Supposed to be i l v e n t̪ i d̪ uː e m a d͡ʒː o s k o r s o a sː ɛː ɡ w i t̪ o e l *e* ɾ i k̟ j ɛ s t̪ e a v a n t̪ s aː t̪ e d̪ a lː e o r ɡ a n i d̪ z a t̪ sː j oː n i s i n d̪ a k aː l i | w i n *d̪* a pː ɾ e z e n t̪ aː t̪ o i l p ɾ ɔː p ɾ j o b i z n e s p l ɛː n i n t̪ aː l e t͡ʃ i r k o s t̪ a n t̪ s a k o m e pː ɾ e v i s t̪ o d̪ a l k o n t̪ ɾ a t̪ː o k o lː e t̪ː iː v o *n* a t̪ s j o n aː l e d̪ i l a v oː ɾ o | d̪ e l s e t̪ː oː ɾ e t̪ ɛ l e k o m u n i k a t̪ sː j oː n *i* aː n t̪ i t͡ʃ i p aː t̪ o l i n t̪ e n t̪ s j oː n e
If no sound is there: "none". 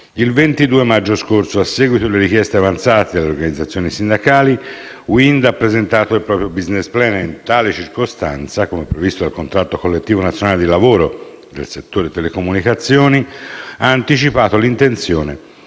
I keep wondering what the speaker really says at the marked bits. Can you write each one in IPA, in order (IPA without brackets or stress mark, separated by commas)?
e, d̪, n, i